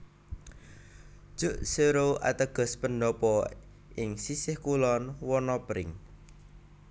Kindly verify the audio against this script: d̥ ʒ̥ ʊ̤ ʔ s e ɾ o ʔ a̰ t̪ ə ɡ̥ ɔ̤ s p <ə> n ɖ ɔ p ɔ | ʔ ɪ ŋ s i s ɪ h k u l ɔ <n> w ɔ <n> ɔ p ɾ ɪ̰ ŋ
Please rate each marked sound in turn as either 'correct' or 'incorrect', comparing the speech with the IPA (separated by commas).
correct, correct, correct